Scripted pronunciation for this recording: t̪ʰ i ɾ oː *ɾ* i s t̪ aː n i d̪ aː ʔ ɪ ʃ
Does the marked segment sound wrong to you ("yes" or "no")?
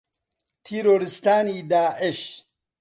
no